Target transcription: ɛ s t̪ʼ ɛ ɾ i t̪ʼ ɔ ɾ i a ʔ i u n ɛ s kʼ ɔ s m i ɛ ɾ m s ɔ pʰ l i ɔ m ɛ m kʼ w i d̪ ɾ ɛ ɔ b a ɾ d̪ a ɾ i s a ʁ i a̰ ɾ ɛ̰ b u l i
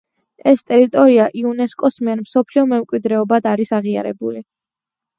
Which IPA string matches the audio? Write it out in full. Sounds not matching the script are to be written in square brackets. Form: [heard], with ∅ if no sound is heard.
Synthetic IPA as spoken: ɛ s t̪ʼ ɛ ɾ i t̪ʼ ɔ ɾ i a ʔ i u n ɛ s kʼ ɔ s m i ɛ ɾ m s ɔ pʰ l i ɔ m ɛ m kʼ w i d̪ ɾ ɛ ɔ b a [∅] d̪ a ɾ i s a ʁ i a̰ ɾ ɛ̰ b u l i

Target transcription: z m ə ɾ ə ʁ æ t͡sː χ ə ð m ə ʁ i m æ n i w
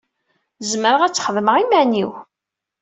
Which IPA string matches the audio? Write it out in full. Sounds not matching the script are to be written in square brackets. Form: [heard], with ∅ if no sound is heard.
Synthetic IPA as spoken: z m ə ɾ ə ʁ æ t͡sː χ ə ð m ə ʁ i m æ n i w

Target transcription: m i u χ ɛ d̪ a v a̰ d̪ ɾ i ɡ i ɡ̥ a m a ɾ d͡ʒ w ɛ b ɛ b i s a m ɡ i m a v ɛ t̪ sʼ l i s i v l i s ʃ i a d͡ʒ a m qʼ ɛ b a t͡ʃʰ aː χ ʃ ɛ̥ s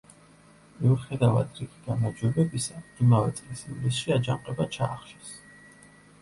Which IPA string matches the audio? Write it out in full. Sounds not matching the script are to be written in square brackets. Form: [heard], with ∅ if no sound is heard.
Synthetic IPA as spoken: m i u χ ɛ d̪ a v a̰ d̪ ɾ i ɡ i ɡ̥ a m a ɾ d͡ʒ w ɛ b ɛ b i s a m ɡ i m a v ɛ t̪ sʼ l i s i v l i s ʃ i a d͡ʒ a m qʼ ɛ b a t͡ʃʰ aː χ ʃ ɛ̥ s

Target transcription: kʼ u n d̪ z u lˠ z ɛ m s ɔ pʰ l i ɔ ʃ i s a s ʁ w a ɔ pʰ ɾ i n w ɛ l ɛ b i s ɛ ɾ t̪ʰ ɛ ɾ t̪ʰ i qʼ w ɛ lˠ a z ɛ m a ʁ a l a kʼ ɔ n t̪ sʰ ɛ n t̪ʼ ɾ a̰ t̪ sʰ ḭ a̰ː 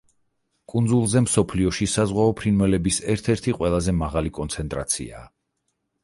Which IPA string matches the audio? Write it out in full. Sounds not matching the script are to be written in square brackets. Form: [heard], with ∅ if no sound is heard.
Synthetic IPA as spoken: kʼ u n d̪ z u lˠ z ɛ m s ɔ pʰ l i ɔ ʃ i s a [z] ʁ w a ɔ pʰ ɾ i n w ɛ l ɛ b i s ɛ ɾ t̪ʰ ɛ ɾ t̪ʰ i qʼ w ɛ lˠ a z ɛ m a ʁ a l [i] kʼ ɔ n t̪ sʰ ɛ n t̪ʼ ɾ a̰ t̪ sʰ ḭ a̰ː

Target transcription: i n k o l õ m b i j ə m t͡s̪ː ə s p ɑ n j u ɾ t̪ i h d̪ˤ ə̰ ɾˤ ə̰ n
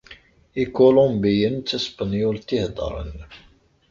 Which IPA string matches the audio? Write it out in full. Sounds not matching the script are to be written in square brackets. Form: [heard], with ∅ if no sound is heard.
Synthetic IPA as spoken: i [∅] k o l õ m b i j ə [n] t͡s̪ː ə s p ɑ n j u [l] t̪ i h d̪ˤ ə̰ ɾˤ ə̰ n

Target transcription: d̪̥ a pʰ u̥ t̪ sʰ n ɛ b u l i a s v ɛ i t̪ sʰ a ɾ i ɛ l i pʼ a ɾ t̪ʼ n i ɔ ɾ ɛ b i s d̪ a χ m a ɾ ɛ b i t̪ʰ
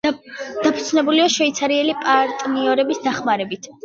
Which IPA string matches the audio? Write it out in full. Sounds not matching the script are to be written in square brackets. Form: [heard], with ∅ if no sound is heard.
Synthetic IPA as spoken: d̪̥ a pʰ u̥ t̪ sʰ n ɛ b u l i a [ʃ] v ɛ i t̪ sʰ a ɾ i ɛ l i pʼ a ɾ t̪ʼ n i ɔ ɾ ɛ b i s d̪ a χ m a ɾ ɛ b i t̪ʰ

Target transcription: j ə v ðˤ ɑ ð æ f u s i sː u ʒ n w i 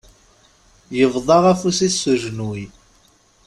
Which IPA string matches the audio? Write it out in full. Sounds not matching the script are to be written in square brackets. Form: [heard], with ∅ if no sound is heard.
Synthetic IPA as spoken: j ə v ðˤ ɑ [ʁ] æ f u s i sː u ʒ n w i

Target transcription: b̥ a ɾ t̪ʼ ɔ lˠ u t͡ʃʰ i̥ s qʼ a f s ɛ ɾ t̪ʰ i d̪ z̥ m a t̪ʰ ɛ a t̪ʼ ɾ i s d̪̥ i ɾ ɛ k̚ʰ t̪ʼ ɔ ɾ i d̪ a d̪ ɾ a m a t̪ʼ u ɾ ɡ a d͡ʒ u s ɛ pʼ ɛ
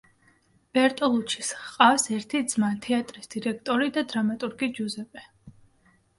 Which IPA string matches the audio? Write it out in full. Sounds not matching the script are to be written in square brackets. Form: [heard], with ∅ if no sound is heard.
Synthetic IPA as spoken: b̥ [ɛ] ɾ t̪ʼ ɔ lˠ u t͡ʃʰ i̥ s qʼ a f s ɛ ɾ t̪ʰ i d̪ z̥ m a t̪ʰ ɛ a t̪ʼ ɾ i s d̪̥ i ɾ ɛ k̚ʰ t̪ʼ ɔ ɾ i d̪ a d̪ ɾ a m a t̪ʼ u ɾ ɡ [i] d͡ʒ u [z] ɛ pʼ ɛ

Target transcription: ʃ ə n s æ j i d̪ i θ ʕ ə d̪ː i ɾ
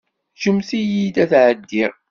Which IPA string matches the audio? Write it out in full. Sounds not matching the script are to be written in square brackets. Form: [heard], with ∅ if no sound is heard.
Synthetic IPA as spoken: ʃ ə [m] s [i] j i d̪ [æ] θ ʕ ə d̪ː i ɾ

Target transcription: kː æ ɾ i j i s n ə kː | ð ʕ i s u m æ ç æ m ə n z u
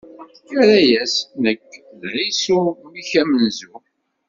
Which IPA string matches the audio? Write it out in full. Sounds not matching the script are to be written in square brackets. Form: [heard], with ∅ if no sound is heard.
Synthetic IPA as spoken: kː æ ɾ [æ] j [æ] s n ə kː | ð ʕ i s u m [i] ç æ m ə n z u

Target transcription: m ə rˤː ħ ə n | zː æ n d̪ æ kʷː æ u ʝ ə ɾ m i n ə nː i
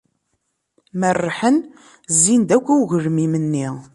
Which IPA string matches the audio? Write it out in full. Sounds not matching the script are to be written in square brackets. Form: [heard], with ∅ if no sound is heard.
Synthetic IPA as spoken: m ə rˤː ħ ə n | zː [i] n d̪ æ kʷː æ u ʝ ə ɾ m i [m] ə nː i

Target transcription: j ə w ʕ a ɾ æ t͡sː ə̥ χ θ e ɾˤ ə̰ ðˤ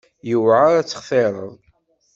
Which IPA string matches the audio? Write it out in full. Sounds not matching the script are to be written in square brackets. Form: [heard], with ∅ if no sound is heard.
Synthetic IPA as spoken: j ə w ʕ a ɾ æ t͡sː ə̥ χ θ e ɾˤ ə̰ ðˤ

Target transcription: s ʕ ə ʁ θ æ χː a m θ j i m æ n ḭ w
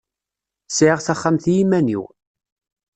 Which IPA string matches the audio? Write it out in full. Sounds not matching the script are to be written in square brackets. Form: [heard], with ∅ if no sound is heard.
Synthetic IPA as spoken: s ʕ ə ʁ θ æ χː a m θ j i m æ n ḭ w

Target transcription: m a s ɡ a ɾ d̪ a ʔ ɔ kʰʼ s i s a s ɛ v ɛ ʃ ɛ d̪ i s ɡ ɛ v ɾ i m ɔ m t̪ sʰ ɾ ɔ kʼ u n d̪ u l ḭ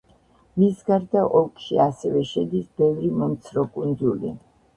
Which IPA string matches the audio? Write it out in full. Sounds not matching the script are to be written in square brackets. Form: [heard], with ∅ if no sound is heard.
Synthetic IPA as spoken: m [i] s ɡ a ɾ d̪ a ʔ ɔ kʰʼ [ʃ] i [∅] a s ɛ v ɛ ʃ ɛ d̪ i s [b] ɛ v ɾ i m ɔ m t̪ sʰ ɾ ɔ kʼ u n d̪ u l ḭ

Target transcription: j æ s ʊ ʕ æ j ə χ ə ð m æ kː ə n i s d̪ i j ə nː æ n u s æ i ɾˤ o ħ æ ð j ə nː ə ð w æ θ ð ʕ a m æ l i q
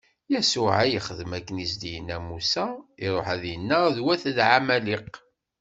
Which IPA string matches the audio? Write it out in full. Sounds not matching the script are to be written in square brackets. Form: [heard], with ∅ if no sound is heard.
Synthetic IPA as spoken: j æ s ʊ ʕ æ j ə χ ə ð m æ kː ə n i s d̪ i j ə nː æ [m] u s æ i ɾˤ o ħ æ ð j ə nː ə ð w æ θ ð ʕ a m æ l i q

